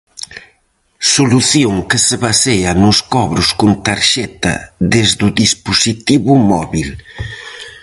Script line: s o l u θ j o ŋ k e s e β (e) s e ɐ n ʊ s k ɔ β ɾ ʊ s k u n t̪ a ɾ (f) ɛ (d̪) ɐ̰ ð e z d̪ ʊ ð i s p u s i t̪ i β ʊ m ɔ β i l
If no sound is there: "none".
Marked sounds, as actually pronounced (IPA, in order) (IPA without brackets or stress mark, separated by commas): a, ʃ, t̪